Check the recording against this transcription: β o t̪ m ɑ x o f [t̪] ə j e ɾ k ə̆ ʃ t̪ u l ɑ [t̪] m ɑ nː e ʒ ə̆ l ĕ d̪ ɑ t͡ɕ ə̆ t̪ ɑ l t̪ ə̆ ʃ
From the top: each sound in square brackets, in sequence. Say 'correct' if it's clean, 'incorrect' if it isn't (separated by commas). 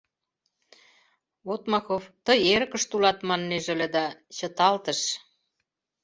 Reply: correct, correct